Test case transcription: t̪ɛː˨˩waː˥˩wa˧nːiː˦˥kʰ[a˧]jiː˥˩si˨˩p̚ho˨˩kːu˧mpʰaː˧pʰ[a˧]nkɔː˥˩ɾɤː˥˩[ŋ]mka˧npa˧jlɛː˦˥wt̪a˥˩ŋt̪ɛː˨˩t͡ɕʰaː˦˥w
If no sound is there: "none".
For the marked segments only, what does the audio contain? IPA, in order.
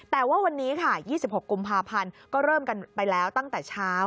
a˥˩, a˧, none

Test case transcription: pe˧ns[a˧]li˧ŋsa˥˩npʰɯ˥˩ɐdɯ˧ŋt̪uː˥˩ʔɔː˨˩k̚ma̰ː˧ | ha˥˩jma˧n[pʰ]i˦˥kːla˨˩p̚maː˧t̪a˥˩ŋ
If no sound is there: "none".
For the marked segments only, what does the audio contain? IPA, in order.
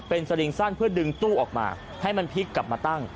a˧, pʰ

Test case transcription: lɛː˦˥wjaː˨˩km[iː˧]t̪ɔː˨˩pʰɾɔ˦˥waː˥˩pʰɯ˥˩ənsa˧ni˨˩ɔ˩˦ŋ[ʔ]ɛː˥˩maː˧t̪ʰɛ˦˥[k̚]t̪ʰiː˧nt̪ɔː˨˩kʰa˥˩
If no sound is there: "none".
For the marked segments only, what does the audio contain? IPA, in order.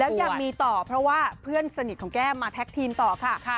iː˧, k, k̚

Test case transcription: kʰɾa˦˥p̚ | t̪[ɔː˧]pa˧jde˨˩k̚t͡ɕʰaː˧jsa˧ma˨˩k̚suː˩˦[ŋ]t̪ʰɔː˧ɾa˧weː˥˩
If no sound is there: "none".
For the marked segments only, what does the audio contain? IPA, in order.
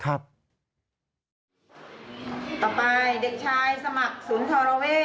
ɔː˨˩, n

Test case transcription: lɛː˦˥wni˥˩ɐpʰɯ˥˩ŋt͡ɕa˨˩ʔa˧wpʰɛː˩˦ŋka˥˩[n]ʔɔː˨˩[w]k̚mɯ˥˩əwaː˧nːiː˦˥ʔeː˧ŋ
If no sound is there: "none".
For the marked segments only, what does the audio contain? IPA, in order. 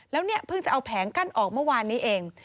n, none

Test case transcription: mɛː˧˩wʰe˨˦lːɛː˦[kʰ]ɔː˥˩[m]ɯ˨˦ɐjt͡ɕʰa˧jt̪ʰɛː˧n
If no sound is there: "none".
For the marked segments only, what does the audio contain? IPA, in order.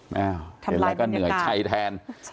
k, n

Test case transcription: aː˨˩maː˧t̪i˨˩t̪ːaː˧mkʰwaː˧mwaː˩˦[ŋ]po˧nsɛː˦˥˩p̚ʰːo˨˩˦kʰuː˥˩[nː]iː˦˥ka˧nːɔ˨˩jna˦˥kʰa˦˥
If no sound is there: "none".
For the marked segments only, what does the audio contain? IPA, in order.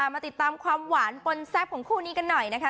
n, n

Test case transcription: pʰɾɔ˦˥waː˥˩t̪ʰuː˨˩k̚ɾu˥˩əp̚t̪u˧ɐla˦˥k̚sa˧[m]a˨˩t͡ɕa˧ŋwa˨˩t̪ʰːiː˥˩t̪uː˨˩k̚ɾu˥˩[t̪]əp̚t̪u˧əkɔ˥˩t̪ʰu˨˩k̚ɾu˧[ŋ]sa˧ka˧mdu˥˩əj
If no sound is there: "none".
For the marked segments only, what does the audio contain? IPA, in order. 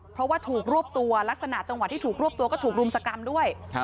n, none, m

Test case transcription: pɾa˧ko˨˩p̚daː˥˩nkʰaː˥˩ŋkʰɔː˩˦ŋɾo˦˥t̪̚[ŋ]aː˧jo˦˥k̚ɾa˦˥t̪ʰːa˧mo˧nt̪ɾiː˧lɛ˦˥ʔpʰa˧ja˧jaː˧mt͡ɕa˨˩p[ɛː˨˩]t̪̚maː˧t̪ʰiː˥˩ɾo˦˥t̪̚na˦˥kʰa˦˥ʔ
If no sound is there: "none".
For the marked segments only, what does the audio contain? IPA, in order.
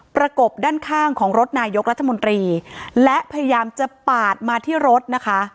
n, aː˨˩

